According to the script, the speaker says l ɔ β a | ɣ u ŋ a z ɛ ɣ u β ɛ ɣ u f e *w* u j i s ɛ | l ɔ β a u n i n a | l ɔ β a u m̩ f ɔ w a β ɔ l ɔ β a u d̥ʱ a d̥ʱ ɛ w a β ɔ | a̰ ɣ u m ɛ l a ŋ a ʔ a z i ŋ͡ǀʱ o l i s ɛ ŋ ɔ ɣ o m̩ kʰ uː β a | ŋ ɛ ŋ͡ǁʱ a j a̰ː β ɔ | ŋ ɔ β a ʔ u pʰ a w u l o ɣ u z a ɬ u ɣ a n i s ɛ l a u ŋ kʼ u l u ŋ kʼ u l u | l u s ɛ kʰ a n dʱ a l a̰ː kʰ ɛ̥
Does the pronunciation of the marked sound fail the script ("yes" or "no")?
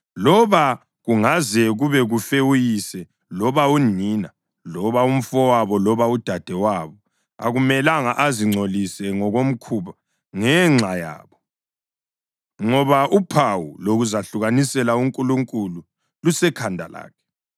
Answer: no